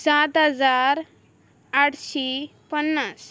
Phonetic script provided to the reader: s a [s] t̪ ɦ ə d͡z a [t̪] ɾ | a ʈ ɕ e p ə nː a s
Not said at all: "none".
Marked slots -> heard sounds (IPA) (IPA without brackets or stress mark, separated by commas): none, none